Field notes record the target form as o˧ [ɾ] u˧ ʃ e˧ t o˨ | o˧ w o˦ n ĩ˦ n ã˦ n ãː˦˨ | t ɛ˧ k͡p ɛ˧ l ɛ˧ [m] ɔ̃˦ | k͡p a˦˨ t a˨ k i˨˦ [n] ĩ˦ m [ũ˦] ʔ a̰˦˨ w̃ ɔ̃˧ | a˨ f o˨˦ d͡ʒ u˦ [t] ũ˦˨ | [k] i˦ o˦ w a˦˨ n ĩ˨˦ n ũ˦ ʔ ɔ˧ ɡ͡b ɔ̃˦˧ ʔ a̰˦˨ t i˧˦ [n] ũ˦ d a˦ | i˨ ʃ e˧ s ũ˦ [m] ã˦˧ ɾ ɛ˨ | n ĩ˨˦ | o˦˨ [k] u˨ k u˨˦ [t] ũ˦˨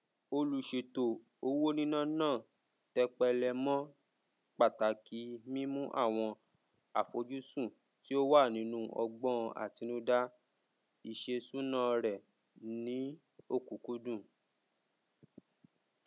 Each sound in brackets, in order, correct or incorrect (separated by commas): incorrect, correct, incorrect, correct, incorrect, incorrect, correct, incorrect, correct, incorrect